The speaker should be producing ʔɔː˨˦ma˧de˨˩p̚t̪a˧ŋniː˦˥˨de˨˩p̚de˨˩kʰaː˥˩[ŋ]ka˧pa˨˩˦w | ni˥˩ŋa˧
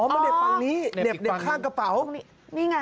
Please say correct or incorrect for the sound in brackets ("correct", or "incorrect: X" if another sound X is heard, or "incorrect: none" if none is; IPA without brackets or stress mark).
correct